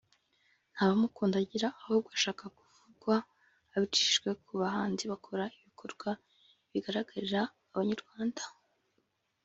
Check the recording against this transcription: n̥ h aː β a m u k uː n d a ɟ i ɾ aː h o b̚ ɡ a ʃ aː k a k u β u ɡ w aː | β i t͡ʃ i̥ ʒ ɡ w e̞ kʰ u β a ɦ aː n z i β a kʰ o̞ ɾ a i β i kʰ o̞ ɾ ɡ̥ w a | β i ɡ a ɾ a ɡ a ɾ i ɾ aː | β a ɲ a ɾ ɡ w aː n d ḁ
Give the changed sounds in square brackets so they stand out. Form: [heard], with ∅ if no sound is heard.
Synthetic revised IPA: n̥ h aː β a m u k uː n d a ɟ i ɾ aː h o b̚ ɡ a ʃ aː k a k u [v] u ɡ w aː | β i t͡ʃ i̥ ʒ ɡ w e̞ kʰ u β a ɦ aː n z i β a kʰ o̞ ɾ a i β i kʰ o̞ ɾ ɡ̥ w a | β i ɡ a ɾ a ɡ a ɾ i ɾ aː | β a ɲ a ɾ ɡ w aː n d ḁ